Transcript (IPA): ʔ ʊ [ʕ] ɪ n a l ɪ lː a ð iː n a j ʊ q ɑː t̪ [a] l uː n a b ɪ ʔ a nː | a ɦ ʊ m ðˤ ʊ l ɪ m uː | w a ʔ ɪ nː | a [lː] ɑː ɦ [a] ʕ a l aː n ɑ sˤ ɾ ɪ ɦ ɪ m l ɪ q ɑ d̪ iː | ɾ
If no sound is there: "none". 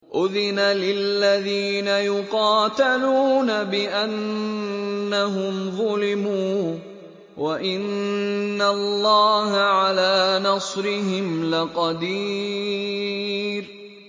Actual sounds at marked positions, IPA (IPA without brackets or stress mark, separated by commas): ð, a, lː, a